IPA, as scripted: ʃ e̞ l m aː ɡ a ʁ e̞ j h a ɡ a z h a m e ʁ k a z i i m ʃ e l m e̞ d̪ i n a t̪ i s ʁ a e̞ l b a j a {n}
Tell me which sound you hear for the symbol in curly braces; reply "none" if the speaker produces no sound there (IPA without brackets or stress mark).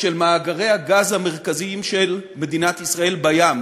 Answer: m